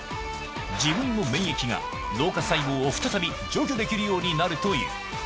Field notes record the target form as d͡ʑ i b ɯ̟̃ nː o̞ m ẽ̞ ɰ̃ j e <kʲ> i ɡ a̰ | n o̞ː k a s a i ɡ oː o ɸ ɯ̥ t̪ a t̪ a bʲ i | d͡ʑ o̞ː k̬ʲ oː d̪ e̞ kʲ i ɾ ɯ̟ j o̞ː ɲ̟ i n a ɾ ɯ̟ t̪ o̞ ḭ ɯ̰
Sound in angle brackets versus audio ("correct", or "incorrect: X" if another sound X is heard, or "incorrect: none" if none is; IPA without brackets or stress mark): correct